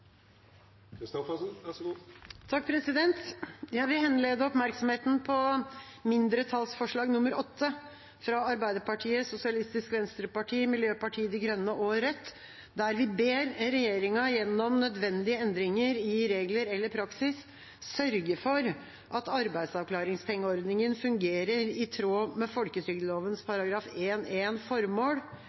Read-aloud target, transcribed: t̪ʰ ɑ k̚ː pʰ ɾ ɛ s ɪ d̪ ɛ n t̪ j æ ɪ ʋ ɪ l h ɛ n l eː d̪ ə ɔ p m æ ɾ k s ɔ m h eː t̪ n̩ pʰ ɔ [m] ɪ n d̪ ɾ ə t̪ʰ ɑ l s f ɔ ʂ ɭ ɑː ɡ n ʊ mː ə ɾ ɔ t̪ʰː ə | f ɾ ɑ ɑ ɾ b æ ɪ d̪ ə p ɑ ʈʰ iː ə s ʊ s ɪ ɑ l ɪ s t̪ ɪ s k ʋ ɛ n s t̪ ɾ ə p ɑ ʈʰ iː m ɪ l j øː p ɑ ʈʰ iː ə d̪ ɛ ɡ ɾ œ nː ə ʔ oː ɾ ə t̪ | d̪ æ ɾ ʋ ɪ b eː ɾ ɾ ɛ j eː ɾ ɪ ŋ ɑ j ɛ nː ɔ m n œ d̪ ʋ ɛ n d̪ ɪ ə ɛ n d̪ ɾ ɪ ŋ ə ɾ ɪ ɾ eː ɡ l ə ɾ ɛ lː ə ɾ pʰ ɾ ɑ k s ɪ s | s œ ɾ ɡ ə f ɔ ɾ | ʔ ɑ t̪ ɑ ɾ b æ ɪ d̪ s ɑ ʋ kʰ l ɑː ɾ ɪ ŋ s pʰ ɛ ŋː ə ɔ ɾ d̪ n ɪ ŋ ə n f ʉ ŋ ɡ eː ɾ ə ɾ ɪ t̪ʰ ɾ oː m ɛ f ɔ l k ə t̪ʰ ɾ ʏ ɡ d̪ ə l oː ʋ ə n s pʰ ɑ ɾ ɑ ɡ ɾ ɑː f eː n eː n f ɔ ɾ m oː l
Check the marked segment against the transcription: correct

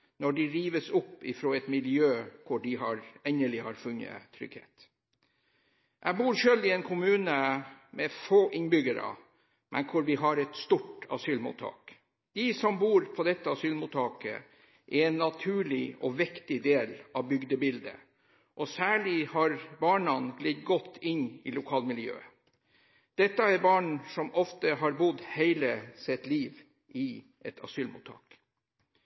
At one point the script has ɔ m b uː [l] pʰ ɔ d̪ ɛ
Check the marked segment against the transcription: incorrect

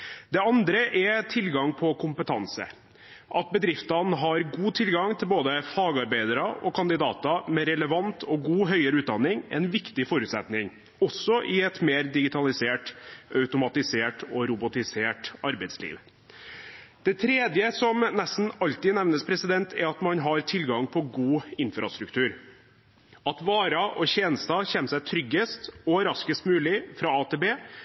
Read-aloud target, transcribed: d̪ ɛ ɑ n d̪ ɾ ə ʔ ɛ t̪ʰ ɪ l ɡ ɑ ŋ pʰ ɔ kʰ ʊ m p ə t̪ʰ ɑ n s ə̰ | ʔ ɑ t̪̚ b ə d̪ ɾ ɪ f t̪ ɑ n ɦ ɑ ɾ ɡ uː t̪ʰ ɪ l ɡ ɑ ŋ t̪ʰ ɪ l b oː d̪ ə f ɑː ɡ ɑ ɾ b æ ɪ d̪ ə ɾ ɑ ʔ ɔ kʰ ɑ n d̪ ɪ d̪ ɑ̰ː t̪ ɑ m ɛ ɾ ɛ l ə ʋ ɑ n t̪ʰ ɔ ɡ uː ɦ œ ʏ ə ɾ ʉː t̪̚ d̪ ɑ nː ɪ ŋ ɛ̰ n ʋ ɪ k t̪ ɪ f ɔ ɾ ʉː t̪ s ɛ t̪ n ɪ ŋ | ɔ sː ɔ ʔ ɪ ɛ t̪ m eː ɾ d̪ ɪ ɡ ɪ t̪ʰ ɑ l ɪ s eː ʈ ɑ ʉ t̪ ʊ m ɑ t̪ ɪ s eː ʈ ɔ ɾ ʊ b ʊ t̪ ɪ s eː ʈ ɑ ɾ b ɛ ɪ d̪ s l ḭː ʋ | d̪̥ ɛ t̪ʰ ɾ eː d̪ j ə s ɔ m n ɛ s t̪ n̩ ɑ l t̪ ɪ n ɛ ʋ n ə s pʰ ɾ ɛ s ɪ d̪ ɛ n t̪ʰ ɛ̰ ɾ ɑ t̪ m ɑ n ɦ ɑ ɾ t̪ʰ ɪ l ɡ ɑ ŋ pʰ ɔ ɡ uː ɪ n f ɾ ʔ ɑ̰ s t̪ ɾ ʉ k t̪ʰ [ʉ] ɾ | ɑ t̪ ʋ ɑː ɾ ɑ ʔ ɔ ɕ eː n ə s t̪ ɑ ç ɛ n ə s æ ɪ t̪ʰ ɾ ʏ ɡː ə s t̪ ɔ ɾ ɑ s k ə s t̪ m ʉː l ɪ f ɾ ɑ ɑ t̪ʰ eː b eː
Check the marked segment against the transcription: incorrect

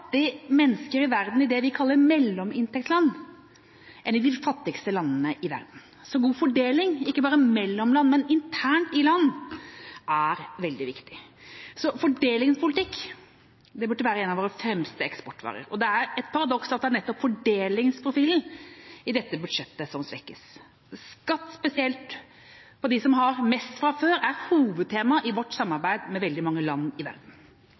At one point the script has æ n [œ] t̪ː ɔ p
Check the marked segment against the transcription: incorrect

